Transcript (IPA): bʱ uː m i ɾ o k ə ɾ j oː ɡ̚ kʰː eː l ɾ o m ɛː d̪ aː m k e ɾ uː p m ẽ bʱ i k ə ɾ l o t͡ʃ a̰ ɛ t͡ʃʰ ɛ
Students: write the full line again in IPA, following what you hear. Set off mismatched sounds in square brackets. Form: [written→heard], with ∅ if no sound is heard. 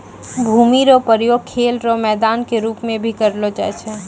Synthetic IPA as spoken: bʱ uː m i ɾ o [k→p] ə ɾ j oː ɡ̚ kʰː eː l ɾ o m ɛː d̪ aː [m→n] k e ɾ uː p m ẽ bʱ i k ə ɾ l o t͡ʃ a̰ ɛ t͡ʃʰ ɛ